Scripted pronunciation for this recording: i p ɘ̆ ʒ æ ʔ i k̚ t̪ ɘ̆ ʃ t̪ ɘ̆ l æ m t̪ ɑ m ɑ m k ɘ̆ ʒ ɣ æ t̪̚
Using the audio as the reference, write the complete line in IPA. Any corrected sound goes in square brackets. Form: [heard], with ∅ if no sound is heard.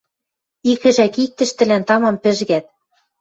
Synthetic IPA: i [k] ɘ̆ ʒ æ [k] i k̚ t̪ ɘ̆ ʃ t̪ ɘ̆ l æ [n] t̪ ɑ m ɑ m [p] ɘ̆ ʒ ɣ æ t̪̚